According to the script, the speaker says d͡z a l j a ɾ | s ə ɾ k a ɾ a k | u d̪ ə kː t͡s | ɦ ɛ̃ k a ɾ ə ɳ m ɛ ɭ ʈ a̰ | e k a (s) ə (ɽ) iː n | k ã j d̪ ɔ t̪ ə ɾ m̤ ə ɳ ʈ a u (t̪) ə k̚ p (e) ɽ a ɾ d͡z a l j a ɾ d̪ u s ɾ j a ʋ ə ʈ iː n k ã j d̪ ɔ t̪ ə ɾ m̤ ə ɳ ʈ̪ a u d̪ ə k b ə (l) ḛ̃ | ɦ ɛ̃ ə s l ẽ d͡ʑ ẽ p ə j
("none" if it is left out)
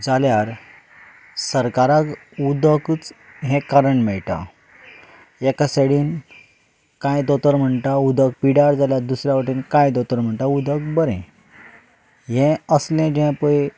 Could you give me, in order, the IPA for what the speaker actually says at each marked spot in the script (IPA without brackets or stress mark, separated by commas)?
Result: s, ɽ, d̪, i, ɾ